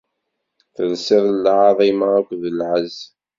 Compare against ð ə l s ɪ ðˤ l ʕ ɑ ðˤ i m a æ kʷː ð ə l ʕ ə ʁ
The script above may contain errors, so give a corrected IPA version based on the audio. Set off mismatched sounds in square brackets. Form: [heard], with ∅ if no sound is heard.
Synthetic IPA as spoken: [θ] ə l s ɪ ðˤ l ʕ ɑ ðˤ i m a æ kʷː ð ə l ʕ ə [z]